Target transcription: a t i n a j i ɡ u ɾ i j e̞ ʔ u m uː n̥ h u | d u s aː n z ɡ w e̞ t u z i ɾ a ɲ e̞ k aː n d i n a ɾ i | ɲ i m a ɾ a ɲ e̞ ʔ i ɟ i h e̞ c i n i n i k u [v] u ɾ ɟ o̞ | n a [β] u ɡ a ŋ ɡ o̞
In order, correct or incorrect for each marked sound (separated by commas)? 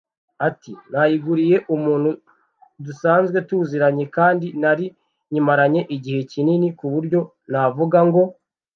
incorrect, incorrect